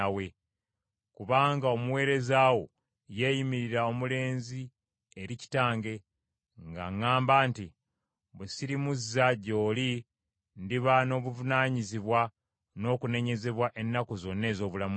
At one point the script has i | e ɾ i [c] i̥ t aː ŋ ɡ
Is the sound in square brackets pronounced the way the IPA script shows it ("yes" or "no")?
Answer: yes